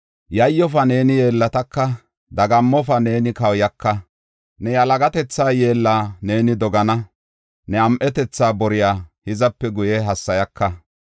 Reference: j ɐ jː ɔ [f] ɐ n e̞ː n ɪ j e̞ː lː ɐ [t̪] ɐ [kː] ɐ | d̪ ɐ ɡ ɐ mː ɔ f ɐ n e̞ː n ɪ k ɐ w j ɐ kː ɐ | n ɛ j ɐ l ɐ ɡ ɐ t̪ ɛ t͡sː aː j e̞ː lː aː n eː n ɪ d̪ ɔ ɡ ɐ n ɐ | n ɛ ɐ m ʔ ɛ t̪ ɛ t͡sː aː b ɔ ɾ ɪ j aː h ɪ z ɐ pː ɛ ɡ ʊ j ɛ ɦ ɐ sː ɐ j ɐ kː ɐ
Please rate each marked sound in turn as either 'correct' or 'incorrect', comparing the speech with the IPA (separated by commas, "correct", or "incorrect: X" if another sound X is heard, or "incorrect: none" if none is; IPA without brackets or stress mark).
correct, correct, correct